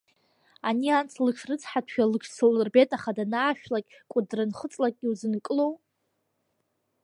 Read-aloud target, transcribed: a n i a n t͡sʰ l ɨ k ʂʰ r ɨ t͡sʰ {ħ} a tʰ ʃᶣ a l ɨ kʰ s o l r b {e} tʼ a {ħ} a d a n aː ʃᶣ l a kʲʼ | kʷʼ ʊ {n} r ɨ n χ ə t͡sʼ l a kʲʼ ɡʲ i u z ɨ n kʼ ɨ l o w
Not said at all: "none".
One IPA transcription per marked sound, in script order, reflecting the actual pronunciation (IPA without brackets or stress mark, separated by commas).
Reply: ħ, e, χ, d